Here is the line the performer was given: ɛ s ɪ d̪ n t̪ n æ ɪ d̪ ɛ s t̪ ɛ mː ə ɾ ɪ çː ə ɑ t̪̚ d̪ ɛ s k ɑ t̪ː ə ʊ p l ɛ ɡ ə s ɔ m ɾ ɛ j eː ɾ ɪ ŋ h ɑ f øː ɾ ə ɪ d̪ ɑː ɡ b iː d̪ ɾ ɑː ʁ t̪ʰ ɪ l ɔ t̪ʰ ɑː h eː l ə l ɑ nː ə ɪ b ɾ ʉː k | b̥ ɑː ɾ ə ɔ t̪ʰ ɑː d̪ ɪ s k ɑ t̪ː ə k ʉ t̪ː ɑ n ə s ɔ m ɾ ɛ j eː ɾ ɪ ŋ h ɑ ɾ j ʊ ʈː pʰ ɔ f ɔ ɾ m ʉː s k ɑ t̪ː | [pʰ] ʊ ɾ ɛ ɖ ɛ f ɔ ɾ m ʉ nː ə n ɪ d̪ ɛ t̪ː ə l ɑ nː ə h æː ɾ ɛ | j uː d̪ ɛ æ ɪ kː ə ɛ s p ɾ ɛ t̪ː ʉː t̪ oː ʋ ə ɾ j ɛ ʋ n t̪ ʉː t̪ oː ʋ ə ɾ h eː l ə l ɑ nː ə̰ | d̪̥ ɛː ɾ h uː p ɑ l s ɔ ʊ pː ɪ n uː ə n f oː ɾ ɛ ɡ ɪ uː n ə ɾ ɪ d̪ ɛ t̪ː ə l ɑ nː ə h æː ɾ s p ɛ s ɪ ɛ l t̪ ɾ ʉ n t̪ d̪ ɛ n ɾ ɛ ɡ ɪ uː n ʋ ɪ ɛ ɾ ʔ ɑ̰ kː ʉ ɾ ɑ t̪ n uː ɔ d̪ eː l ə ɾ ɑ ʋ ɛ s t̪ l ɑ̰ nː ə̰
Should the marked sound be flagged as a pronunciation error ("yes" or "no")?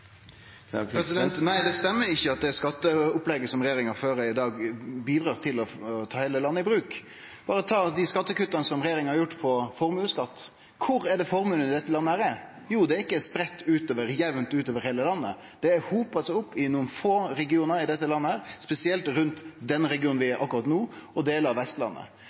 yes